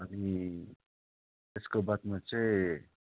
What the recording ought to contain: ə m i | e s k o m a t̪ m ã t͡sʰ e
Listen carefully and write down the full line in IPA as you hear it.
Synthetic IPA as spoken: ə n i | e s k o b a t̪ m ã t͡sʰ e